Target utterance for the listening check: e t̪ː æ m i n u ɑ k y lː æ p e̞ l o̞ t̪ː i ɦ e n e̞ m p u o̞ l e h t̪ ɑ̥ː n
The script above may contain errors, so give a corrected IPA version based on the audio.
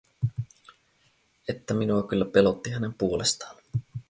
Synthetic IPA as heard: e t̪ː æ m i n u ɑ k y lː æ p e̞ l o̞ t̪ː i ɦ æ n e̞ m p u o̞ l e s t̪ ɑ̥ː n